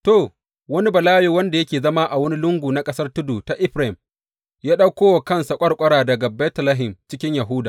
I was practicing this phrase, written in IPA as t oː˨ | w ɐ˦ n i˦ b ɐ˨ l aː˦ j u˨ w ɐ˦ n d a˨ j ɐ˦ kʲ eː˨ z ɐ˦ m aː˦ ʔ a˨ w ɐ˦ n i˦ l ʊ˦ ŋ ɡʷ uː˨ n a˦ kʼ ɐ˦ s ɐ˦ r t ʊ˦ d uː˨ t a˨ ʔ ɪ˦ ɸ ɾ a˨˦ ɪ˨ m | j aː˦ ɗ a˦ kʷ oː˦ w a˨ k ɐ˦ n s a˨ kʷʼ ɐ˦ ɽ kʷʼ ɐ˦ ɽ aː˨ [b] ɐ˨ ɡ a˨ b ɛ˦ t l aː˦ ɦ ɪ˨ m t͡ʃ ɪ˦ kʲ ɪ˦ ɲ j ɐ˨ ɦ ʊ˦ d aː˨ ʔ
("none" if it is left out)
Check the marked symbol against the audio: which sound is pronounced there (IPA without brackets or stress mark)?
d